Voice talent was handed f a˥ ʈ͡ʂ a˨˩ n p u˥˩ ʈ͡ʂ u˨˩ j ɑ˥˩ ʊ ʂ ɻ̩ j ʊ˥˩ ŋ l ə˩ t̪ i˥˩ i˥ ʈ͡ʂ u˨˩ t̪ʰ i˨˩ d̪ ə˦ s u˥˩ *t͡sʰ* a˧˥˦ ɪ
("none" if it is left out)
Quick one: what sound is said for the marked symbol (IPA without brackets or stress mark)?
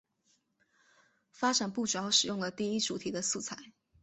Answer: t͡sʰ